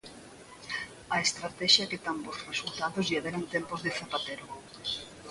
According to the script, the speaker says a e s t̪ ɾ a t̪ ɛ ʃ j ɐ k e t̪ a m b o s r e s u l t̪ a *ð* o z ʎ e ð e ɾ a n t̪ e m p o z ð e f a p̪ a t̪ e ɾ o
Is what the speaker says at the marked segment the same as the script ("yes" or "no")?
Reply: yes